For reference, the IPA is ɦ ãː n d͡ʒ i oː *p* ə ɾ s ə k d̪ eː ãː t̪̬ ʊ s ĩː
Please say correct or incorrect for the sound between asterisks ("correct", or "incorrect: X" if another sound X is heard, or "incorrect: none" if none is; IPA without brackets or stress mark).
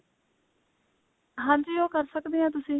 incorrect: k